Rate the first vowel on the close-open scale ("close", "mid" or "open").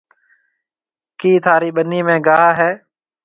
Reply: close